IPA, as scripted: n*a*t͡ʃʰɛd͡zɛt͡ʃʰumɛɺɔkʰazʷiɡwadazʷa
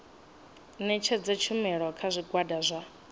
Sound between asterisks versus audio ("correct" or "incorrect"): incorrect